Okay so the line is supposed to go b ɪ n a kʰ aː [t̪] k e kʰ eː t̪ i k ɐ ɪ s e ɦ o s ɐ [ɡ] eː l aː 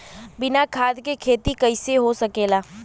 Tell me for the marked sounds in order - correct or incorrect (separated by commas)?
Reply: incorrect, incorrect